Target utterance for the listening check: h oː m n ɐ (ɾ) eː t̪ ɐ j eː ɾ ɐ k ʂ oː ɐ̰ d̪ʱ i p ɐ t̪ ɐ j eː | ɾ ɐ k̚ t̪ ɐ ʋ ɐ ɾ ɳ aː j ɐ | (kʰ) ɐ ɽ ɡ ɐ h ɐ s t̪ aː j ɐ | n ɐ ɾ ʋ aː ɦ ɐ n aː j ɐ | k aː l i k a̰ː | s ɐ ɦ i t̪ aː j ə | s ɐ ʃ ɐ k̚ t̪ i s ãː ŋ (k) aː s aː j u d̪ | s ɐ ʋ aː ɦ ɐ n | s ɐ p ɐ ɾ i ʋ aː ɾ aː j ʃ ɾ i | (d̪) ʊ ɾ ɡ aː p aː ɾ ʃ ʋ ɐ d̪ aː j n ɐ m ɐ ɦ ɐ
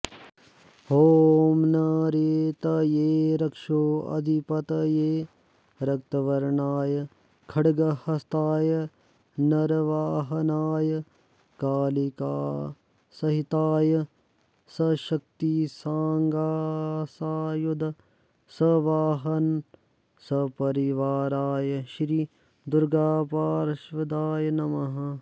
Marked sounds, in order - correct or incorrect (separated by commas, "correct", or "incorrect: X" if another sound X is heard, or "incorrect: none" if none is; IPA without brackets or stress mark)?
correct, correct, incorrect: ɡ, correct